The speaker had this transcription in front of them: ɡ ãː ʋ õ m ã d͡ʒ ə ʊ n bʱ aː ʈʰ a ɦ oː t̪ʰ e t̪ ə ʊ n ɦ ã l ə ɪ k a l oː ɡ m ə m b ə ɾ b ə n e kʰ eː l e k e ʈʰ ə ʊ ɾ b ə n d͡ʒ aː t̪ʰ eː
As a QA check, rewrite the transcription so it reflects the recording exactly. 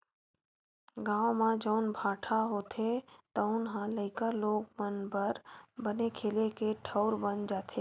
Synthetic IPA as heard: ɡ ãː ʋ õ m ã d͡ʒ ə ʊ n bʱ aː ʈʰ a ɦ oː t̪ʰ e t̪ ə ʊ n ɦ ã l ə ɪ k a l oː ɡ m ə n b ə ɾ b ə n e kʰ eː l e k e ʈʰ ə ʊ ɾ b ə n d͡ʒ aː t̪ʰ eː